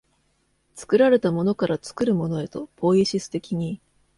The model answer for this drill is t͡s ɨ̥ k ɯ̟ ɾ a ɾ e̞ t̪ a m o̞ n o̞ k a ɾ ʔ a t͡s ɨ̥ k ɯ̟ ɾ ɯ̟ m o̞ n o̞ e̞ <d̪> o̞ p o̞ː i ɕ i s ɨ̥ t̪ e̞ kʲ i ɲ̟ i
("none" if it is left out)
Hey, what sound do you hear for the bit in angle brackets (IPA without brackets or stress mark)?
t̪